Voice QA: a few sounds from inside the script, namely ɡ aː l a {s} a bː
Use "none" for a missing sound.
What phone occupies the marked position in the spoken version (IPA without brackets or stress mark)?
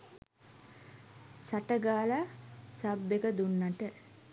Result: s